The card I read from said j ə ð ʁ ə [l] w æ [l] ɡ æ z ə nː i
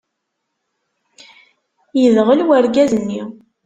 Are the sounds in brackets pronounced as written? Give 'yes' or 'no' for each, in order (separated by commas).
yes, no